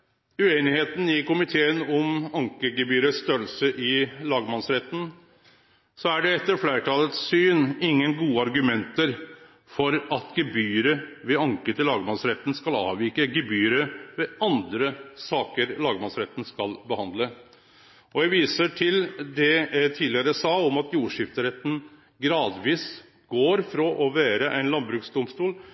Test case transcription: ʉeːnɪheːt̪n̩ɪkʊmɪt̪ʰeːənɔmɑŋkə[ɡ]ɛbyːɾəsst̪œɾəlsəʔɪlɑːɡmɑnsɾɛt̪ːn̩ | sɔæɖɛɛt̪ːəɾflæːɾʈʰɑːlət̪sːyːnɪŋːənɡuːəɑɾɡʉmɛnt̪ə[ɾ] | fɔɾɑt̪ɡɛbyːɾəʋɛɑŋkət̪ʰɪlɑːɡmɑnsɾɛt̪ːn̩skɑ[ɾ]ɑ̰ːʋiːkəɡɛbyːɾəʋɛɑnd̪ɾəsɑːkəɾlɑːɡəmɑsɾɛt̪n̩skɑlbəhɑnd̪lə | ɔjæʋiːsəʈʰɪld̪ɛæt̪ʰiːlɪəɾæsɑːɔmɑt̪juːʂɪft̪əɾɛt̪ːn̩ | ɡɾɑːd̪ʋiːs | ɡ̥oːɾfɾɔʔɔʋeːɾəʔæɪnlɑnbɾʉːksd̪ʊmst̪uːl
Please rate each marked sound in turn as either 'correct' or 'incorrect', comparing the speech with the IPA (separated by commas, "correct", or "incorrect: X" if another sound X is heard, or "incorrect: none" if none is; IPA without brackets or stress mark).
correct, correct, incorrect: l